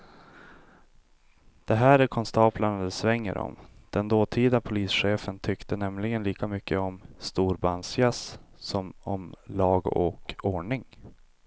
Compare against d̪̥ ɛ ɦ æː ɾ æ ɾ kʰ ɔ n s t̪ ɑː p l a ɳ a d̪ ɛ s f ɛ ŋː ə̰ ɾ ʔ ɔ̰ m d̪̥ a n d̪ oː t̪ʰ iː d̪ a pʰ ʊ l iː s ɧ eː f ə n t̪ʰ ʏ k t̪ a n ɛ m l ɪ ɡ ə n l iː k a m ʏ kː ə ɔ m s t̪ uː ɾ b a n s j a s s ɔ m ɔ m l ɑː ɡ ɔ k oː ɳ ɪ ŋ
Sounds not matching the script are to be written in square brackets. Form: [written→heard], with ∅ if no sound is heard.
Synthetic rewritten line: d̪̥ ɛ ɦ æː ɾ æ ɾ kʰ ɔ n s t̪ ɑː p l a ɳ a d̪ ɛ s [f→v] ɛ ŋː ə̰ ɾ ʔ ɔ̰ m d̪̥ [a→ɛ] n d̪ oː t̪ʰ iː d̪ a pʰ ʊ l iː s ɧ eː f ə n t̪ʰ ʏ k t̪ [a→ə] n ɛ m l ɪ ɡ ə n l iː k a m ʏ kː ə ɔ m s t̪ uː ɾ b a n s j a s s ɔ m ɔ m l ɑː ɡ ɔ k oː ɳ ɪ ŋ

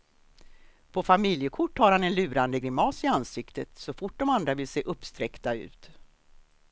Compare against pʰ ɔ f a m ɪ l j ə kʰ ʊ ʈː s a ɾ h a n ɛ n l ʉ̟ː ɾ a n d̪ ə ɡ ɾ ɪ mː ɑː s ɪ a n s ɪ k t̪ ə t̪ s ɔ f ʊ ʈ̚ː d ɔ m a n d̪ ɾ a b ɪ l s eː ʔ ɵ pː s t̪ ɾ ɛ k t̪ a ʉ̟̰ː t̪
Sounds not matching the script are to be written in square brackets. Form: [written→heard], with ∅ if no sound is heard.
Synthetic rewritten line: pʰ ɔ f a m ɪ l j ə kʰ ʊ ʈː [s→h] a ɾ h a n ɛ n l ʉ̟ː ɾ a n d̪ ə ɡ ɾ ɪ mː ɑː s ɪ a n s ɪ k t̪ ə t̪ s ɔ f ʊ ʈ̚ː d ɔ m a n d̪ ɾ a [b→v] ɪ l s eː ʔ ɵ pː s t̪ ɾ ɛ k t̪ a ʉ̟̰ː t̪

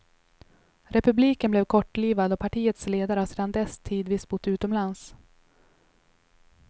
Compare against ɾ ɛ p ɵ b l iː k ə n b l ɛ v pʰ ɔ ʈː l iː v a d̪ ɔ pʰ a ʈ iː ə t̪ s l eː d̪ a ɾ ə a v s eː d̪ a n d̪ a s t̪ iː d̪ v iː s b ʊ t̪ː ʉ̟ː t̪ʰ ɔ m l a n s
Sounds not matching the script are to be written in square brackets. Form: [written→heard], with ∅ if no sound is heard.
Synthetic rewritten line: ɾ ɛ p ɵ b l iː k ə n b l ɛ v [pʰ→kʰ] ɔ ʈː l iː v a d̪ ɔ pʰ a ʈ iː ə t̪ s l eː d̪ a ɾ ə a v s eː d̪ a n d̪ [a→ɛ] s [t̪→t̪ʰ] iː d̪ v iː s b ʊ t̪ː ʉ̟ː [t̪ʰ→t̪] ɔ m l a n s

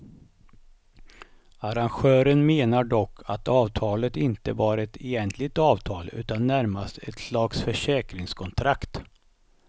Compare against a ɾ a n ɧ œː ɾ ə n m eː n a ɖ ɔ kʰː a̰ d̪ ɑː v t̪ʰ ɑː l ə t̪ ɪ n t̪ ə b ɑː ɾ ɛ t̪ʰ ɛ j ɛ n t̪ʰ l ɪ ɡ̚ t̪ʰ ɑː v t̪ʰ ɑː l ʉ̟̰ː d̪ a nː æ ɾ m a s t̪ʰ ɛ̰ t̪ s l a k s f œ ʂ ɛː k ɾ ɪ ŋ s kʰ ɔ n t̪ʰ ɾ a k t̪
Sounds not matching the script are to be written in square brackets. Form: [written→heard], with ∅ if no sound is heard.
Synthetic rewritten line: a ɾ a n ɧ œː ɾ ə n m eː n a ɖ ɔ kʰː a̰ [d̪→t̪] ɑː v t̪ʰ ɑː l ə t̪ ɪ n t̪ ə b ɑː ɾ ɛ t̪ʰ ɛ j ɛ n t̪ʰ l ɪ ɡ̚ [t̪ʰ→t̪] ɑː v t̪ʰ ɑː l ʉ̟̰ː [d̪→t̪] a nː æ ɾ m a s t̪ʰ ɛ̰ t̪ s l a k s f œ ʂ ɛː k ɾ ɪ ŋ s kʰ ɔ n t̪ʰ ɾ a k t̪

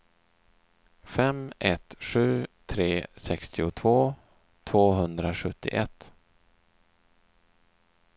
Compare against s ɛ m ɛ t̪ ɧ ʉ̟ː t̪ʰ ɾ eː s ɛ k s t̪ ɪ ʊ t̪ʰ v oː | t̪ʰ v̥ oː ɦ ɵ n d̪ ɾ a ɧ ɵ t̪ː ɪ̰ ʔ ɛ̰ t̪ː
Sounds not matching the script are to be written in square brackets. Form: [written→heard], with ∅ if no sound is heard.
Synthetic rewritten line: [s→f] ɛ m ɛ t̪ ɧ ʉ̟ː t̪ʰ ɾ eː s ɛ k s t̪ ɪ ʊ t̪ʰ v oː | t̪ʰ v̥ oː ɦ ɵ n d̪ ɾ a ɧ ɵ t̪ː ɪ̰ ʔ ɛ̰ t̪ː

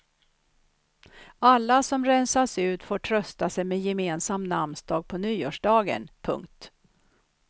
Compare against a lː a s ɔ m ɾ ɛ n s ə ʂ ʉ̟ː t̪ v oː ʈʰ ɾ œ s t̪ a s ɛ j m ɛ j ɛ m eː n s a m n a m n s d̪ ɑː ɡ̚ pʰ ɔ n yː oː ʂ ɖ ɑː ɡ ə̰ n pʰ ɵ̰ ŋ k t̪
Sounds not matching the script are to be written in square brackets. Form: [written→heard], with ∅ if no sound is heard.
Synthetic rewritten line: a lː a s ɔ m ɾ ɛ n s [ə→a] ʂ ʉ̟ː t̪ [v→f] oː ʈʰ ɾ œ s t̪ a s ɛ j m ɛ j ɛ m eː n s a m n a m n s d̪ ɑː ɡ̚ pʰ ɔ n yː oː ʂ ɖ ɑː ɡ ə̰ n pʰ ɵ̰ ŋ k t̪

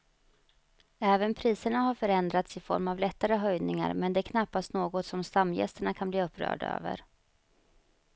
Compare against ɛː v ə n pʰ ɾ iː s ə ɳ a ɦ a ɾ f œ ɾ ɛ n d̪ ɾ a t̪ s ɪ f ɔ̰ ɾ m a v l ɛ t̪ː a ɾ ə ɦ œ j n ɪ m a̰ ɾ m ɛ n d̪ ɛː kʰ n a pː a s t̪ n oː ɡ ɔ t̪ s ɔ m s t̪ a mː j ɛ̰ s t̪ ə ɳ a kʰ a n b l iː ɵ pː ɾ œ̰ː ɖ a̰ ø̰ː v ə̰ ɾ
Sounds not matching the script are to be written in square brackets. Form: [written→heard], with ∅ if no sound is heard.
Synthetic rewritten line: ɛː v ə n pʰ ɾ iː s ə ɳ a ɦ a ɾ f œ ɾ ɛ n d̪ ɾ a t̪ s ɪ f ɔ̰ ɾ m a v l ɛ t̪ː a ɾ ə ɦ œ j n ɪ [m→ŋ] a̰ ɾ m ɛ n d̪ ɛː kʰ n a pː a s t̪ n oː ɡ ɔ t̪ s ɔ m s t̪ a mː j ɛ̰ s t̪ ə ɳ a kʰ a n b l iː ɵ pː ɾ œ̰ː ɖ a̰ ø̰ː v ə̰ ɾ

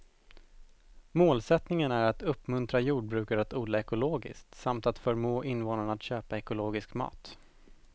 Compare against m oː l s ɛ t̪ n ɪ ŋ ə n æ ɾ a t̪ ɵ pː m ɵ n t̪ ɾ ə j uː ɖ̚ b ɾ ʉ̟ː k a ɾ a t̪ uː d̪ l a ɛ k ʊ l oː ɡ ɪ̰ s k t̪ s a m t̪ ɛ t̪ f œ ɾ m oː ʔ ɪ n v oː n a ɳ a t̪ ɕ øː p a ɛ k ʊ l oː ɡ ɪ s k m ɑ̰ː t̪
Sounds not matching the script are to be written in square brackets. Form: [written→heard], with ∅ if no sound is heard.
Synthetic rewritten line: m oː l s ɛ t̪ n ɪ ŋ ə n æ ɾ a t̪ ɵ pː m ɵ n t̪ ɾ [ə→a] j uː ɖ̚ b ɾ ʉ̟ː k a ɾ a t̪ uː d̪ l a ɛ k ʊ l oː ɡ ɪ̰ s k t̪ s a m t̪ [ɛ→a] t̪ f œ ɾ m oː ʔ ɪ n v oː n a ɳ a t̪ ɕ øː p a ɛ k ʊ l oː ɡ ɪ s k m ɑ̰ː t̪

